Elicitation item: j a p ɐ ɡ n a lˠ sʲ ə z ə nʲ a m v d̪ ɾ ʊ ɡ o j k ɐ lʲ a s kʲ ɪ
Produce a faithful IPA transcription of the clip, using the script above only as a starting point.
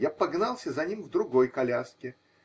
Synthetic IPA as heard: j a p ɐ ɡ n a lˠ sʲ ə z ɐ nʲ i m v d̪ ɾ ʊ ɡ o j k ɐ lʲ a s kʲ ɪ